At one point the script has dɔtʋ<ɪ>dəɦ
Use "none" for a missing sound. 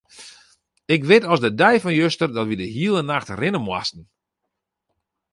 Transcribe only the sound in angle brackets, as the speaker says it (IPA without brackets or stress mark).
i